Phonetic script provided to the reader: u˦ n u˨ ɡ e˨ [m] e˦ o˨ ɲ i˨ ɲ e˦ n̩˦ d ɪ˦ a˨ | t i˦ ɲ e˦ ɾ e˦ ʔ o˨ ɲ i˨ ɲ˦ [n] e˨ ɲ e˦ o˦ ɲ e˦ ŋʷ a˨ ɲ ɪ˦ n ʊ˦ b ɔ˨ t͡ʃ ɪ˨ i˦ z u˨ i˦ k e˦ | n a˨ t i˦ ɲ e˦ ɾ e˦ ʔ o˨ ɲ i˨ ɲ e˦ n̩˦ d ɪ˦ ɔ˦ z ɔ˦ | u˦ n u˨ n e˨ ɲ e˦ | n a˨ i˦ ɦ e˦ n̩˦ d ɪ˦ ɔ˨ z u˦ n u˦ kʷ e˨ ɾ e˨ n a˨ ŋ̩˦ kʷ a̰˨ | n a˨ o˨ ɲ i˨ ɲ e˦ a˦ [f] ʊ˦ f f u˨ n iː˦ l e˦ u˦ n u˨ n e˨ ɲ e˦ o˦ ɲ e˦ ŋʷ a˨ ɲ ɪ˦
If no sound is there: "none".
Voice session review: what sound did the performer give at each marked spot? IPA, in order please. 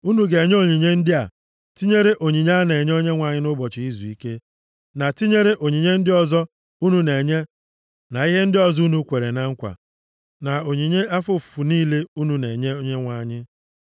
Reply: ɲ, n, f

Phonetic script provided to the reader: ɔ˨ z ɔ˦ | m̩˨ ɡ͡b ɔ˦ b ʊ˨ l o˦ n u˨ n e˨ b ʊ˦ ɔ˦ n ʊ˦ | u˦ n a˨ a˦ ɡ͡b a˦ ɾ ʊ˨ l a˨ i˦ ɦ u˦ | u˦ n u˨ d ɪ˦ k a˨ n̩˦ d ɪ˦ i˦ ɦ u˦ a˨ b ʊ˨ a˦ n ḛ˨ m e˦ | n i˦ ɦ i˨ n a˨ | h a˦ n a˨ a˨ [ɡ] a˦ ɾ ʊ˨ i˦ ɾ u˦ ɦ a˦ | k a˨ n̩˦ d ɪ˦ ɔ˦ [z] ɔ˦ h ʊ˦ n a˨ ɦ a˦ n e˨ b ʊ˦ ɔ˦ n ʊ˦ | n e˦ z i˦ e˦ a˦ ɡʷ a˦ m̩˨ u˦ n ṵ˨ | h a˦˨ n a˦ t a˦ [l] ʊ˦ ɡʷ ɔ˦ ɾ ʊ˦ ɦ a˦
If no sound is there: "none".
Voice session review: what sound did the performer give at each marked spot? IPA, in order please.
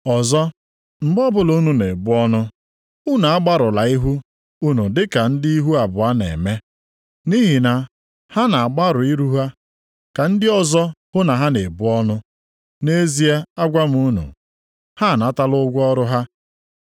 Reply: ɡ͡b, z, l

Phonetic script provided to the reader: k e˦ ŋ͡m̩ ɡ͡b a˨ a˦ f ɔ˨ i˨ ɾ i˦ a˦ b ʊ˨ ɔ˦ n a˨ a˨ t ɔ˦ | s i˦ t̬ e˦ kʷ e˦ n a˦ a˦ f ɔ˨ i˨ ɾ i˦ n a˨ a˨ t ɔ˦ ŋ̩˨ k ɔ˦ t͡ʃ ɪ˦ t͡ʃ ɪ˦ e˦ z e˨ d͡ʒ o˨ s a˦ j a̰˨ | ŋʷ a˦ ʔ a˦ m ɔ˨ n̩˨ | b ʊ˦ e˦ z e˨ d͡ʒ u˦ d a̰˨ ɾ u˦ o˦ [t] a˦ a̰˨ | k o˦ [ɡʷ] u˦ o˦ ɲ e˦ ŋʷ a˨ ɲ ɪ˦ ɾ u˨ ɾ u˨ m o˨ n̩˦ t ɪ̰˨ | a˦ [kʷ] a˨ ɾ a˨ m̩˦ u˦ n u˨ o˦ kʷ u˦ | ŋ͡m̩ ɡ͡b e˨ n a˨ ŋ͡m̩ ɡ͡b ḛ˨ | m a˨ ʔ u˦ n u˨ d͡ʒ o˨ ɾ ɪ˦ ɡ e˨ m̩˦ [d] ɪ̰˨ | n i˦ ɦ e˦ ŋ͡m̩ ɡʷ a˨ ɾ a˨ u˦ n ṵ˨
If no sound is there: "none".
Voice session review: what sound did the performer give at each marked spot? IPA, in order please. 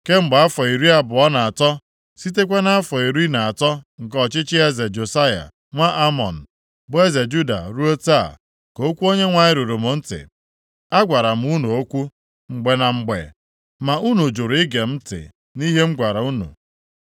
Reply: t, kʷ, ɡʷ, t

